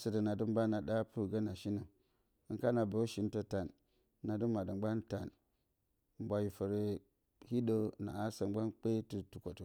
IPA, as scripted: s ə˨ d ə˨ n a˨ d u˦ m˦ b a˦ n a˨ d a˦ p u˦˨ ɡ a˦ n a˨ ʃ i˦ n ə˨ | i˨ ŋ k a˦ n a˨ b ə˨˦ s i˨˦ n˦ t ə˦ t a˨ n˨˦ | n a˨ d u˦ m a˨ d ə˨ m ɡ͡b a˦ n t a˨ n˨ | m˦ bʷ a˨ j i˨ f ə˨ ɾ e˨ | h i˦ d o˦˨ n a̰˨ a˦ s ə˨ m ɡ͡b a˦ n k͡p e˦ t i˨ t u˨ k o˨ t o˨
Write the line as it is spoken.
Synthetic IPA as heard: s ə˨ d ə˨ n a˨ d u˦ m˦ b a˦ n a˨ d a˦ p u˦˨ ɡ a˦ n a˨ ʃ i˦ n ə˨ | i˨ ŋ k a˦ n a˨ b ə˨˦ ʃ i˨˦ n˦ t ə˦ t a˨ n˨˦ | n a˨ d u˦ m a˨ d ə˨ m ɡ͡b a˦ n t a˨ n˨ | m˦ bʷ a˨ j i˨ f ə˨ ɾ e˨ | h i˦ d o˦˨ n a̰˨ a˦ s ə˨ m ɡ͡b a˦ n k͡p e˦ t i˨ t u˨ k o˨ t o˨